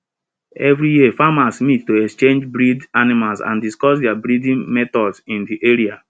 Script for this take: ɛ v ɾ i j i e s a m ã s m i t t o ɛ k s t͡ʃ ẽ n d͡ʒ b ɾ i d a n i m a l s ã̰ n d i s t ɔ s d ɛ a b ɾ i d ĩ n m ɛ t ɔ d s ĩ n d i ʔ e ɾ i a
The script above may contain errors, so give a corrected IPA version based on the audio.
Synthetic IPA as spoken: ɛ v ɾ i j i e f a m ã s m i t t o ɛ k s t͡ʃ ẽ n d͡ʒ b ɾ i d a n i m a l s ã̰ n d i s k ɔ s d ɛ a b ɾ i d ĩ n m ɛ t ɔ d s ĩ n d i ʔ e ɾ i a